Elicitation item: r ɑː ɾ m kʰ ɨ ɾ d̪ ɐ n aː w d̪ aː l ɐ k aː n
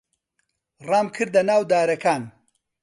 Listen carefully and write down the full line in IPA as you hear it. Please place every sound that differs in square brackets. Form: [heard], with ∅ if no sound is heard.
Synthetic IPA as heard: r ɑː [∅] m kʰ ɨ ɾ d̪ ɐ n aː w d̪ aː [ɾ] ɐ k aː n